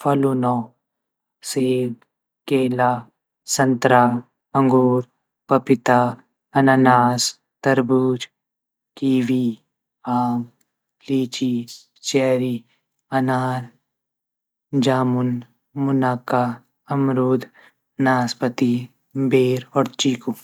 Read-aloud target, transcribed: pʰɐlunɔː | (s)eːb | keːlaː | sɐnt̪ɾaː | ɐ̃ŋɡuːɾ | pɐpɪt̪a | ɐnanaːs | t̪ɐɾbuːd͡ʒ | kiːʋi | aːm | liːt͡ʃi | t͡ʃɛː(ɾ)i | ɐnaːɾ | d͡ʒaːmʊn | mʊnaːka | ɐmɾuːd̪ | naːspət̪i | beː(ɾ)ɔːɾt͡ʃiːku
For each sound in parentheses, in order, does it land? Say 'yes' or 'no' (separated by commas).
yes, yes, yes